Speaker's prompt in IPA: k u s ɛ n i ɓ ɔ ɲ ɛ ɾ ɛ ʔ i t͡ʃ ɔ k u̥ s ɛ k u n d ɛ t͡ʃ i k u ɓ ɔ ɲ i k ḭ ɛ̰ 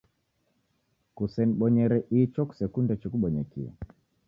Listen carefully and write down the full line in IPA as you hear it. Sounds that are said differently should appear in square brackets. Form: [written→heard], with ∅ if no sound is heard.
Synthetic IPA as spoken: k u s ɛ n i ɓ ɔ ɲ ɛ ɾ ɛ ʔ i t͡ʃ ɔ k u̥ s ɛ k u n d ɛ t͡ʃ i k u ɓ ɔ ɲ [i→ɛ] k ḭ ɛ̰